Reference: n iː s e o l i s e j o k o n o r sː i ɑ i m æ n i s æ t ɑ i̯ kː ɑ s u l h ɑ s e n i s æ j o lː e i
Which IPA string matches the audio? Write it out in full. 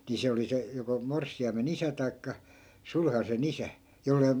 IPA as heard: n i s e o l i s e j o k o m o r sː i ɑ i m e n i s æ t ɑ i̯ kː ɑ s u l h ɑ s e n i s æ j o lː e i